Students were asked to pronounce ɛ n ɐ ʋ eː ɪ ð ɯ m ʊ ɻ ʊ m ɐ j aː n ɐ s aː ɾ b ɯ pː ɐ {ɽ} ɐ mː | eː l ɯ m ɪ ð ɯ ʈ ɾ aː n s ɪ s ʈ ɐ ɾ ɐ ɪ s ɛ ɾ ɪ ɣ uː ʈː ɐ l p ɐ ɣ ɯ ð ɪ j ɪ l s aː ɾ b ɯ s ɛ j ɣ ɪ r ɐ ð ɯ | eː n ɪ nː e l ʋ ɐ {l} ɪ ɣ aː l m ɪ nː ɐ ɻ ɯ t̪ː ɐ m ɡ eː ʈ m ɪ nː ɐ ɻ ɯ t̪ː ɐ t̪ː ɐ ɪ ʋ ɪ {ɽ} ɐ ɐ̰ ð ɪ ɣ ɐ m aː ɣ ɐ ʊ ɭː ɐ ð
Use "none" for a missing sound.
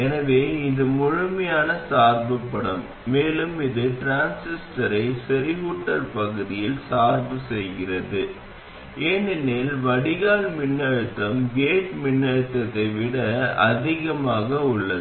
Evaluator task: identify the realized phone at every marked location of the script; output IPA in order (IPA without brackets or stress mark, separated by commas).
ɽ, ɽ, ɽ